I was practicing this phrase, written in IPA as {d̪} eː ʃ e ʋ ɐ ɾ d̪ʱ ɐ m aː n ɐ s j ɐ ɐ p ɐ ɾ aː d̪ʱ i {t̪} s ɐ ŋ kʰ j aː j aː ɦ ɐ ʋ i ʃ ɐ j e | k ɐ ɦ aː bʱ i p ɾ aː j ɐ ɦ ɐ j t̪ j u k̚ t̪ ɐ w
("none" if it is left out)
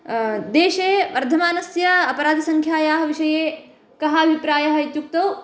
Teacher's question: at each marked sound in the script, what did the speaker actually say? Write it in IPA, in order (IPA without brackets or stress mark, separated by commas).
d̪, none